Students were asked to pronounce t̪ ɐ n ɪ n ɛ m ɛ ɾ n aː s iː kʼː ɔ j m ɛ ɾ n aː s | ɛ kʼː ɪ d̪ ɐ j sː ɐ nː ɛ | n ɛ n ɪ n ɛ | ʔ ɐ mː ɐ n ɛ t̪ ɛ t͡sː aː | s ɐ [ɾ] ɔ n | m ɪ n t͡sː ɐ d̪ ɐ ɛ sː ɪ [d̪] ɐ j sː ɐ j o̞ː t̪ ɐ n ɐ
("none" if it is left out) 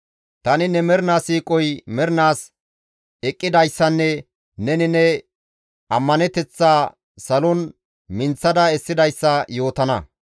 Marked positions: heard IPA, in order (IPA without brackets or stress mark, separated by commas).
l, d̪